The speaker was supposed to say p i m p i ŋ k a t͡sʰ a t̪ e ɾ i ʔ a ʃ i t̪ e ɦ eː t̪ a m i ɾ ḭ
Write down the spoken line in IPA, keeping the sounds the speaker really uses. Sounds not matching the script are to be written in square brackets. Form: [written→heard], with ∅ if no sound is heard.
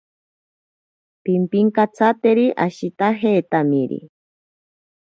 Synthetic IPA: p i m p i ŋ k a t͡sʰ a t̪ e ɾ i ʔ a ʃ i t̪ [e→a] ɦ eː t̪ a m i ɾ ḭ